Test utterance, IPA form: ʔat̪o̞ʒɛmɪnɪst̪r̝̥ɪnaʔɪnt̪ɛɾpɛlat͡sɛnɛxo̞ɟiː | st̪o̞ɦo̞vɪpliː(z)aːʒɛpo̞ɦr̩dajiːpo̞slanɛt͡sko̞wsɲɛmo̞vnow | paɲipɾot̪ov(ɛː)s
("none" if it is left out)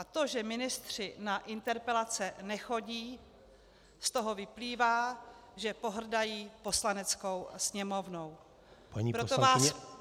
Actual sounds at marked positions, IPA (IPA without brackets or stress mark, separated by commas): v, aː